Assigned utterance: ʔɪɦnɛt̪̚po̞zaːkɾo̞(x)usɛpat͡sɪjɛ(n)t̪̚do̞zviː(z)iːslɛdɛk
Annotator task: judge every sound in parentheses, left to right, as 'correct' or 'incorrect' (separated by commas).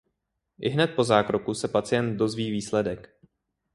incorrect, correct, incorrect